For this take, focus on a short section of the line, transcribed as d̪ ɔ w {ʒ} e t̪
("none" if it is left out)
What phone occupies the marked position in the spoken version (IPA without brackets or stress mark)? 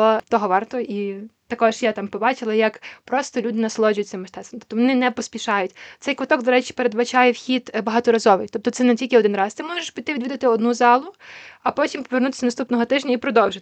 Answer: ʒ